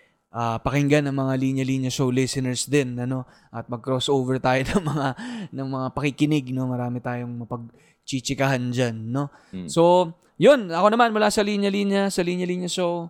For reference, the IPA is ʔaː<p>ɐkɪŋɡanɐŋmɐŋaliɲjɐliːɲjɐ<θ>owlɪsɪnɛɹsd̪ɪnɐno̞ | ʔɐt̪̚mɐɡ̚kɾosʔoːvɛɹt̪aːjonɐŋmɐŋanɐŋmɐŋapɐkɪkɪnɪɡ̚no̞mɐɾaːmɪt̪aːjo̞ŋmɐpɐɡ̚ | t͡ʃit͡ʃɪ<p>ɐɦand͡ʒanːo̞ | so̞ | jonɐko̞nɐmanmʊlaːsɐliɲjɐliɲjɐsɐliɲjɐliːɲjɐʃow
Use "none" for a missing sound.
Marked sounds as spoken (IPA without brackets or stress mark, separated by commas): p, ʃ, k